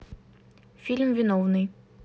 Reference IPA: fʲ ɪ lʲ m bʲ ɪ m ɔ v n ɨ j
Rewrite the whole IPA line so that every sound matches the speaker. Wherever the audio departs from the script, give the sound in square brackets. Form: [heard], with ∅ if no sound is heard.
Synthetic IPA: fʲ [i] lʲ m [vʲ] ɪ [n] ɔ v n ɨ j